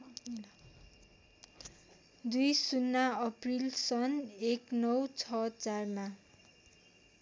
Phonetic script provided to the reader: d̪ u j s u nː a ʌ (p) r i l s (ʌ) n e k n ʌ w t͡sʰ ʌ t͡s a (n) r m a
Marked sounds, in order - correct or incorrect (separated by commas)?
correct, correct, incorrect